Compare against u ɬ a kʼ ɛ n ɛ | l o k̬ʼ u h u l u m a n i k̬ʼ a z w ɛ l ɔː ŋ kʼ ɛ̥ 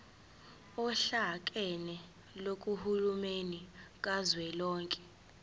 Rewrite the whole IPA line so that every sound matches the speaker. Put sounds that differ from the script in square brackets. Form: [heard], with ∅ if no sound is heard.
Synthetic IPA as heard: [ɔ] ɬ a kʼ ɛ n ɛ | l o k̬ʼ u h u l u m [e] n i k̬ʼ a z w ɛ l ɔː ŋ kʼ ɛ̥

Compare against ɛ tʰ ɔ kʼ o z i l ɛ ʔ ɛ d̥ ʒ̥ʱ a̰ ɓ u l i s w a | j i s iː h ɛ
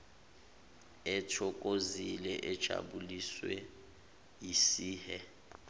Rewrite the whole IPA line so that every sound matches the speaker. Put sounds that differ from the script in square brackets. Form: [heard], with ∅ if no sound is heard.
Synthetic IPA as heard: ɛ tʰ ɔ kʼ o z i l ɛ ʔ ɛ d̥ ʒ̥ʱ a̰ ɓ u l i s w [ɛ] | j i s iː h ɛ

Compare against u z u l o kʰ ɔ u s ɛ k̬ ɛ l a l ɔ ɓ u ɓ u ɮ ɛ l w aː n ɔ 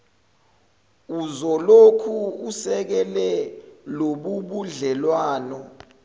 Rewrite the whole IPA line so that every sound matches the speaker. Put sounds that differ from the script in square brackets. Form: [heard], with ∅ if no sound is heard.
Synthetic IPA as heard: u z [ɔ] l o kʰ [u] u s ɛ k̬ ɛ l [ɛ] l [o] ɓ u ɓ u ɮ ɛ l w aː n ɔ

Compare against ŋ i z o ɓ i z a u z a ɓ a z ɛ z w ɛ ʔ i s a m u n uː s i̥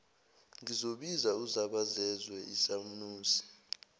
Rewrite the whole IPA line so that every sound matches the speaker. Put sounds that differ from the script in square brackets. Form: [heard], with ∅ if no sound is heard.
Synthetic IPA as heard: ŋ i z o ɓ i z a u z a ɓ a z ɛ z w ɛ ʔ i s a m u n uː s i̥

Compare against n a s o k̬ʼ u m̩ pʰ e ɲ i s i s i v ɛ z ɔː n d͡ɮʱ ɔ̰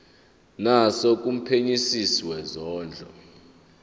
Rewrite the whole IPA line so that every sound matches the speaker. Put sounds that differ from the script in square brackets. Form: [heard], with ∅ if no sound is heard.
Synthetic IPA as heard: n a s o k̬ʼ u m̩ pʰ e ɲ i s i s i [w] ɛ z ɔː n d͡ɮʱ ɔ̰

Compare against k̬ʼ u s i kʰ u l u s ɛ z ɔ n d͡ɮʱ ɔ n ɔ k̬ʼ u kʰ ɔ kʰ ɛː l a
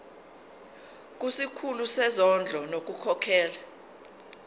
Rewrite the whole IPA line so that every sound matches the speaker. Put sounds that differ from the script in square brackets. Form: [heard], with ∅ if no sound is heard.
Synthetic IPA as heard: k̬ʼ u s i kʰ u l u s ɛ z ɔ n d͡ɮʱ ɔ n [o] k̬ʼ u kʰ ɔ kʰ ɛː l a

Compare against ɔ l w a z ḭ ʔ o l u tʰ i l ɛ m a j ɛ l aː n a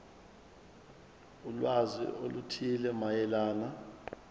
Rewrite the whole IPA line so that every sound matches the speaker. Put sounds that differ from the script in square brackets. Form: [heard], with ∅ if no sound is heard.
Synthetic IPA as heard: [u] l w a z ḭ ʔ o l u tʰ i l ɛ m a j ɛ l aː n a

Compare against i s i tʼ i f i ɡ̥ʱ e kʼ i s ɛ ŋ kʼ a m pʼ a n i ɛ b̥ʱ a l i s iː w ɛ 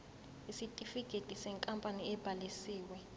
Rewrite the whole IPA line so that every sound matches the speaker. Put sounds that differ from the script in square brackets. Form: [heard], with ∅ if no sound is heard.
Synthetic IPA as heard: i s i tʼ i f i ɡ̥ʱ e [tʼ] i s ɛ ŋ kʼ a m pʼ a n i ɛ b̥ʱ a l i s iː w ɛ

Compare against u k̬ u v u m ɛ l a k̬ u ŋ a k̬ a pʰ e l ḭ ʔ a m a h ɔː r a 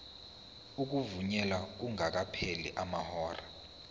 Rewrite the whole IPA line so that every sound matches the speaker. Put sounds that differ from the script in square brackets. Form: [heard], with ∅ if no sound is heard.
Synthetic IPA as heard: u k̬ u v u [ɲ] ɛ l a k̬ u ŋ a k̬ a pʰ e l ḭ ʔ a m a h ɔː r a

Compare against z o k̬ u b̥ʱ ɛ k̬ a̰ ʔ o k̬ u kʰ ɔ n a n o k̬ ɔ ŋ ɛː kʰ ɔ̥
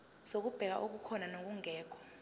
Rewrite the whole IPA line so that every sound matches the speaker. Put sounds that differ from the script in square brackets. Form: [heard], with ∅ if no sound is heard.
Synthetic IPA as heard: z o k̬ u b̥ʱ ɛ k̬ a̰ ʔ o k̬ u kʰ ɔ n a n o k̬ [u] ŋ ɛː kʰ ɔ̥

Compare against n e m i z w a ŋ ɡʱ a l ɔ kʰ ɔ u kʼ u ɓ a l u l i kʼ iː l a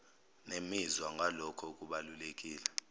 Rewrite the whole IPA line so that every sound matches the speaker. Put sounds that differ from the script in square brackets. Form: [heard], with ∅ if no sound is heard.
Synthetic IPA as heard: n e m i z w a ŋ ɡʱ a l ɔ kʰ ɔ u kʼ u ɓ a l u l [e] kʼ iː l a

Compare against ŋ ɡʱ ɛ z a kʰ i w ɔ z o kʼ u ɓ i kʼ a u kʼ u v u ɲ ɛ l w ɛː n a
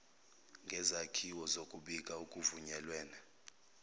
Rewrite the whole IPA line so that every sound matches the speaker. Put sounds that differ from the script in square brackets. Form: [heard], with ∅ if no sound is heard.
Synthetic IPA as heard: ŋ ɡʱ ɛ z a kʰ i w ɔ z o kʼ u ɓ i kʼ a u kʼ u v u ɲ ɛ l w ɛː n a

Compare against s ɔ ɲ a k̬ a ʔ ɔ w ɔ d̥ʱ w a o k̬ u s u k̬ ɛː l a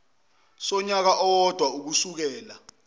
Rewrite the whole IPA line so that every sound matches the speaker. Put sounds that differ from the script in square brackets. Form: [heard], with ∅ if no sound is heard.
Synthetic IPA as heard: s ɔ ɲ a k̬ a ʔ ɔ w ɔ d̥ʱ w a [u] k̬ u s u k̬ ɛː l a

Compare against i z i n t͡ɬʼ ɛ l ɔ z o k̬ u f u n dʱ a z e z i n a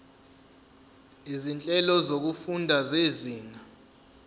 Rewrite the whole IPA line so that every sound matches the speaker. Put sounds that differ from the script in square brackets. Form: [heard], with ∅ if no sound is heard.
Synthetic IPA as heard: i z i n t͡ɬʼ ɛ l ɔ z o k̬ u f u n dʱ a z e z [iː] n a

